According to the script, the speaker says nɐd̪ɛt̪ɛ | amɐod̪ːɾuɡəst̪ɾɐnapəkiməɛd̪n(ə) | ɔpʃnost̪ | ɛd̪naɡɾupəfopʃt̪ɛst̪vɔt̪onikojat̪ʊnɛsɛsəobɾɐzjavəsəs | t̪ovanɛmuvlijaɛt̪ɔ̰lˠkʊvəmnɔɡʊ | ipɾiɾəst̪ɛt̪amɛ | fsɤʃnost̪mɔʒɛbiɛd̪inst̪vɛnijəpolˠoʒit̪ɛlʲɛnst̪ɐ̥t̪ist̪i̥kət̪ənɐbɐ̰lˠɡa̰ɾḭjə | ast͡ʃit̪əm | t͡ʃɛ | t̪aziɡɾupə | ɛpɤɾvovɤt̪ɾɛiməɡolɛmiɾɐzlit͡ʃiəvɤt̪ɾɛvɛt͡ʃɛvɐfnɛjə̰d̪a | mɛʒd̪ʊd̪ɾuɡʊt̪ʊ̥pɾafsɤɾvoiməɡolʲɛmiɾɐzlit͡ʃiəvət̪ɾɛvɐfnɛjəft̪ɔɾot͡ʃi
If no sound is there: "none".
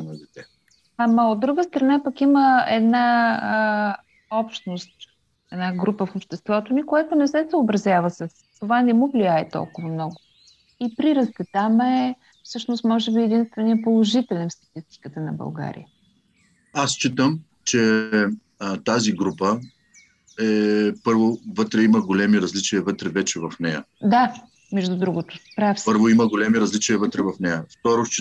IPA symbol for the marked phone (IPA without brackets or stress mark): a